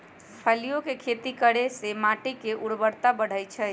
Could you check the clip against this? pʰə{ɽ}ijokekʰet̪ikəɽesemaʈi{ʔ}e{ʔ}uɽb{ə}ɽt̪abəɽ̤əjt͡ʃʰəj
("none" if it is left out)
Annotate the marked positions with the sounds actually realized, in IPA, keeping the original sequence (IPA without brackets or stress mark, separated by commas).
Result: l, k, ʔ, ə